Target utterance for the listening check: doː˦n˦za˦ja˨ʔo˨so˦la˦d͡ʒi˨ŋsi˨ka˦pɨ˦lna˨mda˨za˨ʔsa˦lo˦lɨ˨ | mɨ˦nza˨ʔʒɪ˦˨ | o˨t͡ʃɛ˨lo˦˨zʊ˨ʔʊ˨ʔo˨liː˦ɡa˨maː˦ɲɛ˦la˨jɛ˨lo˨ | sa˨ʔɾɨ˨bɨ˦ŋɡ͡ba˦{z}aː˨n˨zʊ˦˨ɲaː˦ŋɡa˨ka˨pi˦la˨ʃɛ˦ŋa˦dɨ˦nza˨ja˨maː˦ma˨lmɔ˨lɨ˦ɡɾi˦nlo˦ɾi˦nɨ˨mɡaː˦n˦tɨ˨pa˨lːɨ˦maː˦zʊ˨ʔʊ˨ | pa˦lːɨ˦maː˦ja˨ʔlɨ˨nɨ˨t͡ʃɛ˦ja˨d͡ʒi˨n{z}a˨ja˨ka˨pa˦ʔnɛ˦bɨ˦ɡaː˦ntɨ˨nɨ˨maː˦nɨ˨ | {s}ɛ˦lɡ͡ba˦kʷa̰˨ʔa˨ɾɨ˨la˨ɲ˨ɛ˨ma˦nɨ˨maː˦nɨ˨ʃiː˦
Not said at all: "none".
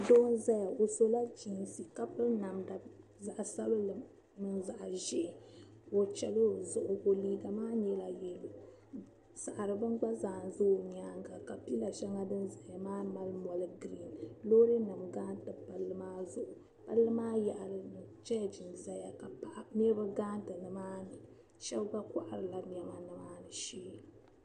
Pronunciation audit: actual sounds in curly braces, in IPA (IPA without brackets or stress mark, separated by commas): z, z, ʃ